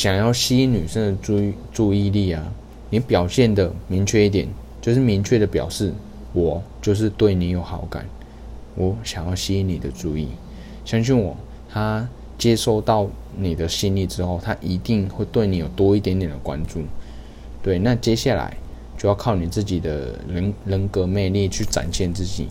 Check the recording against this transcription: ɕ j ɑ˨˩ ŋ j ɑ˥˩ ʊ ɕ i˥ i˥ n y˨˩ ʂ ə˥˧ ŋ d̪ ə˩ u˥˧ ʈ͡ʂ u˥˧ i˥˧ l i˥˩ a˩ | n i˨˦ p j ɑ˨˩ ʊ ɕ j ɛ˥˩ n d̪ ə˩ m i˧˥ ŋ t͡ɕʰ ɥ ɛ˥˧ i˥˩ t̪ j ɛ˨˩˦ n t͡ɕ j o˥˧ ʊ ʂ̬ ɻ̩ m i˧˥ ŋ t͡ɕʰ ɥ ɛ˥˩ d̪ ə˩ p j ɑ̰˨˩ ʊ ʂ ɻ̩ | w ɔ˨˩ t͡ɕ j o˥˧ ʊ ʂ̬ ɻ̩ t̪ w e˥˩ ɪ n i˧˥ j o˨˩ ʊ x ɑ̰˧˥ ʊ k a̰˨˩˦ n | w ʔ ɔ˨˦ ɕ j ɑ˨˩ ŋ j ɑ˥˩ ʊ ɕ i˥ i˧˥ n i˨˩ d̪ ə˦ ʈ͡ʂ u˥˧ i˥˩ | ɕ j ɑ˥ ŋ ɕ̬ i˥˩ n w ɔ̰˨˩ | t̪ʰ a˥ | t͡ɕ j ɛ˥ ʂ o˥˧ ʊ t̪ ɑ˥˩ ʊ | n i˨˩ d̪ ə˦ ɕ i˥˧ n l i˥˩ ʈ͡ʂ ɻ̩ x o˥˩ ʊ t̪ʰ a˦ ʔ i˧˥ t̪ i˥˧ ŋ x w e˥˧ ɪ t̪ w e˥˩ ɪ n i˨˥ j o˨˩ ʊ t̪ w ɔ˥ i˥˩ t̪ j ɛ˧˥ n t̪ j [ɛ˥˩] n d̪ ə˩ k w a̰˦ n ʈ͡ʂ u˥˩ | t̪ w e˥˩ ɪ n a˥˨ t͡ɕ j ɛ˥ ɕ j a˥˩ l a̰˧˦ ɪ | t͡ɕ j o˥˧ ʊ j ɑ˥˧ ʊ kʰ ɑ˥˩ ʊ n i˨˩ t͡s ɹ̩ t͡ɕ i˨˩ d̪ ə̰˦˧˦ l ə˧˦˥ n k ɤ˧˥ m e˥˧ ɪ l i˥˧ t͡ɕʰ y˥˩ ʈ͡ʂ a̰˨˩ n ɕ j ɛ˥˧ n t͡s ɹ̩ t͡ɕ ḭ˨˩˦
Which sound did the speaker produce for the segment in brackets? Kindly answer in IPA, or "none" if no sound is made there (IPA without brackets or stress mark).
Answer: ɛ˨˩